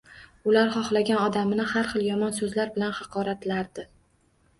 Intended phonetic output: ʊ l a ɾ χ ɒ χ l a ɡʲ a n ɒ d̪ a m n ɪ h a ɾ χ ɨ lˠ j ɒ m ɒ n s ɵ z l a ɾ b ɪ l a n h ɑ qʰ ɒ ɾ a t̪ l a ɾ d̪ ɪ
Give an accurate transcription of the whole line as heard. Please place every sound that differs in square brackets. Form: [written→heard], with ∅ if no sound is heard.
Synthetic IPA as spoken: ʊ l a ɾ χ ɒ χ l a ɡʲ a n ɒ d̪ a m n ɪ h a ɾ χ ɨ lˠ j ɒ m ɒ n s ɵ z l a ɾ b ɪ l a n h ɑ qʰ ɒ ɾ a t̪ l a ɾ d̪ ɪ